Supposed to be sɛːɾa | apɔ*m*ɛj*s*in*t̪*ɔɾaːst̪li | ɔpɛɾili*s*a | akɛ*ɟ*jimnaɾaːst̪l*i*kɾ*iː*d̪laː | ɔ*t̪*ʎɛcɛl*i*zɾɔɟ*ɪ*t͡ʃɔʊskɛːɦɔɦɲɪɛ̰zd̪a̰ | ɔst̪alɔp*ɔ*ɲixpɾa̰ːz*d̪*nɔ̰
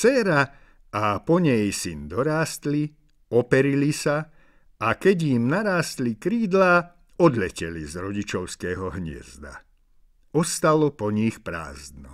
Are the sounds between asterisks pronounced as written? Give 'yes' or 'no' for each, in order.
no, yes, no, yes, yes, yes, yes, no, yes, no, yes, yes

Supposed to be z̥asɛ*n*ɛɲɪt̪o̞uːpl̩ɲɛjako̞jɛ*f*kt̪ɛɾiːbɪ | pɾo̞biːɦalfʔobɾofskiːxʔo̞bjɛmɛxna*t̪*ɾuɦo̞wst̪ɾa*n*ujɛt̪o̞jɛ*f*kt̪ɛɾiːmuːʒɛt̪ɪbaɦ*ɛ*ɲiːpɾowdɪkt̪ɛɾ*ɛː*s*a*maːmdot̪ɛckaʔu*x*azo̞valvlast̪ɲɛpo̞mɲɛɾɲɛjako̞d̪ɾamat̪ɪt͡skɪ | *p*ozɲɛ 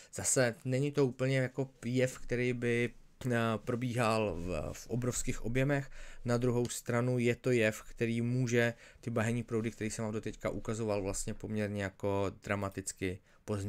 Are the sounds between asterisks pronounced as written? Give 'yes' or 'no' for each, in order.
yes, yes, no, yes, yes, yes, no, no, no, yes

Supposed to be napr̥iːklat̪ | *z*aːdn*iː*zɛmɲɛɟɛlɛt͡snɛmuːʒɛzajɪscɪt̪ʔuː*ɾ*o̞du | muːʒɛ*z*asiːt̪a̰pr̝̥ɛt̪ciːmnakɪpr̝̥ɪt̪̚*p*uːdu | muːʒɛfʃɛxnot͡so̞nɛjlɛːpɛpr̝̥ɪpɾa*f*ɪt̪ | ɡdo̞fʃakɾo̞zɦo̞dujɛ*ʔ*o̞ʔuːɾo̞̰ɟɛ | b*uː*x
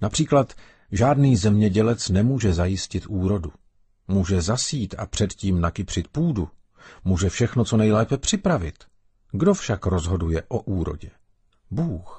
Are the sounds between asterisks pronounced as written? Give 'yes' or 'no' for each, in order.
no, yes, yes, yes, yes, no, yes, yes

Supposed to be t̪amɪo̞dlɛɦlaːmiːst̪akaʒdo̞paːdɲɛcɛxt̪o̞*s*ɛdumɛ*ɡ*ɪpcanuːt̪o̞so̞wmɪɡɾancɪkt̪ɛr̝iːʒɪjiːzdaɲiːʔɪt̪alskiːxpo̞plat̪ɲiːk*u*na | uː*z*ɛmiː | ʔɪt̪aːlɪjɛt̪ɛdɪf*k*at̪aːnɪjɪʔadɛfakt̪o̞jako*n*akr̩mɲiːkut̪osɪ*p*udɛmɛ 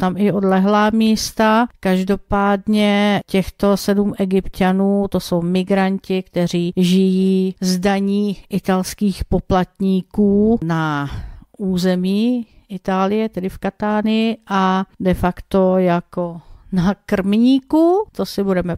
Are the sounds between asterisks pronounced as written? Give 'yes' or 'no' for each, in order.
yes, yes, no, yes, yes, yes, no

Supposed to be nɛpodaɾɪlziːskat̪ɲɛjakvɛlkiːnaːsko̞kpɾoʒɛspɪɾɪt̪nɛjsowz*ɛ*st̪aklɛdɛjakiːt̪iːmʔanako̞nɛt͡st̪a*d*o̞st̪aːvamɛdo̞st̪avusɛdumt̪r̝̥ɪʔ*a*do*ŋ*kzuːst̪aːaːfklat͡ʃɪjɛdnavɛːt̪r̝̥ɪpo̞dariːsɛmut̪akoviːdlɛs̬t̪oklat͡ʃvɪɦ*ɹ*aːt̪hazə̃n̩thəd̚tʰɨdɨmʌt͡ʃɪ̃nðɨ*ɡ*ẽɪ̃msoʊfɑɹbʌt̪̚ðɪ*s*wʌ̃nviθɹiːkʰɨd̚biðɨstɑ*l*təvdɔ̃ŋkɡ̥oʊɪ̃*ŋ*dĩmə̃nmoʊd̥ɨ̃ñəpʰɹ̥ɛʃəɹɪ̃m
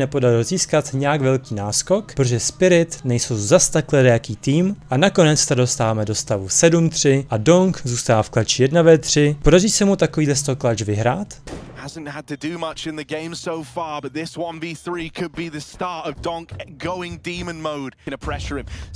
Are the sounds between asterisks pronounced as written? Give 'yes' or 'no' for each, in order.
no, yes, yes, yes, no, yes, yes, no, yes

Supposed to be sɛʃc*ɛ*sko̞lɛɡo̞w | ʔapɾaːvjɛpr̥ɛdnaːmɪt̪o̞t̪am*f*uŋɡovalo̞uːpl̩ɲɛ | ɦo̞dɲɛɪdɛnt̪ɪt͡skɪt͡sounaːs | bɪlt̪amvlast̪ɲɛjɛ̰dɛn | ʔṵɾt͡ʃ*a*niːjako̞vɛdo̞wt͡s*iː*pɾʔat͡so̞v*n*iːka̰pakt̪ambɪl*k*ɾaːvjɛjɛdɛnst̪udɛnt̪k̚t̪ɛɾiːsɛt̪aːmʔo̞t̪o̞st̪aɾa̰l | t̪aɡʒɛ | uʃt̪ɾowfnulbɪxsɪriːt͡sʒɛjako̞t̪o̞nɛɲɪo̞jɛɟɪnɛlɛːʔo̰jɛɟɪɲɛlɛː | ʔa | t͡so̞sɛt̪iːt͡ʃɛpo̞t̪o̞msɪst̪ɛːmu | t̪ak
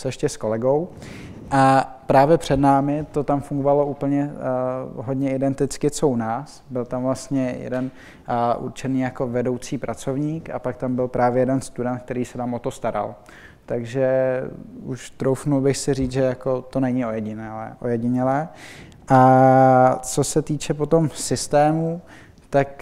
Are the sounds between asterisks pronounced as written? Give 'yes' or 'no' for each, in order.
yes, yes, no, yes, no, no

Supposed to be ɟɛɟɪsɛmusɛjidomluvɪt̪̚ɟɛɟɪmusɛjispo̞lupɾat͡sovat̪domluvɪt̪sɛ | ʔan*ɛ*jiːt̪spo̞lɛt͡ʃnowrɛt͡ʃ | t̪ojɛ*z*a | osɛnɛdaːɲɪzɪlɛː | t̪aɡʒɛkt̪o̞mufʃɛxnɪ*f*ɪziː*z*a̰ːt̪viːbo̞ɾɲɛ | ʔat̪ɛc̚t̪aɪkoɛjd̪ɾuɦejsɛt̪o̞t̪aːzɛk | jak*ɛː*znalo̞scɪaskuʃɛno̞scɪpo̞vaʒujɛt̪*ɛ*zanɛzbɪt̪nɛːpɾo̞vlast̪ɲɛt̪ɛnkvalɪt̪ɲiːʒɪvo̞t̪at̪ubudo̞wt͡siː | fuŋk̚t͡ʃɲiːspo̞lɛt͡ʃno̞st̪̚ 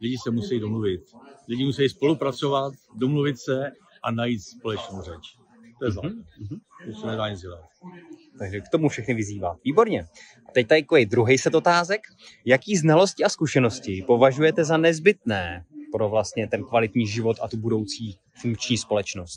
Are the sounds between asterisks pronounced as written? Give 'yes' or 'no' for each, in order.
no, yes, no, no, no, yes

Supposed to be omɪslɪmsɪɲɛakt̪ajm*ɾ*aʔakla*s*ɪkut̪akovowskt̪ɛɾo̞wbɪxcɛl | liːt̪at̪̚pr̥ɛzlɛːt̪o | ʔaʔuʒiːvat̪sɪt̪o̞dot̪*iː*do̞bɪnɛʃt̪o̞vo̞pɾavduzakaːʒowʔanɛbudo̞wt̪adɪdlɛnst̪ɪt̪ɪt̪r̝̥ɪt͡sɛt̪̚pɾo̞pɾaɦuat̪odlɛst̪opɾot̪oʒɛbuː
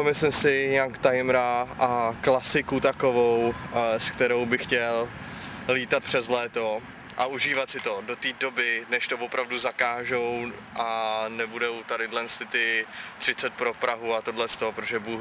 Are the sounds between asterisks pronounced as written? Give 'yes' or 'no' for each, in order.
yes, yes, yes

